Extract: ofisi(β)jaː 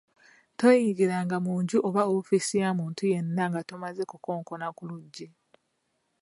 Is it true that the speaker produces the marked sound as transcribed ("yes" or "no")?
no